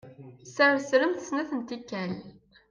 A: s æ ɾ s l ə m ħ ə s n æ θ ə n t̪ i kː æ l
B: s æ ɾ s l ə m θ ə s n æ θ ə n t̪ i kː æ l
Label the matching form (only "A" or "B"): B